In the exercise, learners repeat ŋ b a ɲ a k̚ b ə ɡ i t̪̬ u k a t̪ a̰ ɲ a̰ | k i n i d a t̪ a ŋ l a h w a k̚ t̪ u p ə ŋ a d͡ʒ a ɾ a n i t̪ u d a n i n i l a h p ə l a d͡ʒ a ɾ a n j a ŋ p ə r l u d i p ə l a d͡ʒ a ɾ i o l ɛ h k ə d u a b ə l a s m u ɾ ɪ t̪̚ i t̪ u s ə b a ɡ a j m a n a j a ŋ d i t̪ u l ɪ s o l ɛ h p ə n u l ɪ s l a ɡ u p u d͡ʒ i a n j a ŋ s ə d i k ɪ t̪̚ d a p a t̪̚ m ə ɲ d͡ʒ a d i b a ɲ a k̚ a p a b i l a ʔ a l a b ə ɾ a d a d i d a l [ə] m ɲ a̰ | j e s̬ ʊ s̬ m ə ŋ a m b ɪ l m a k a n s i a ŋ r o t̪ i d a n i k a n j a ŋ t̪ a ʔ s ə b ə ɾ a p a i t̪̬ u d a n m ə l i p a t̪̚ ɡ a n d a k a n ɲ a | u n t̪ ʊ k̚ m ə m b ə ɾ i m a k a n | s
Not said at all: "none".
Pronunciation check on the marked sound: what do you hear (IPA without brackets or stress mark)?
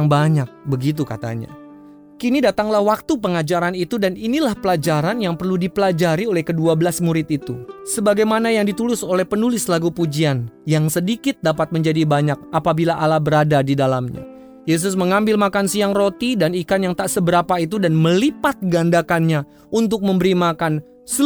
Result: a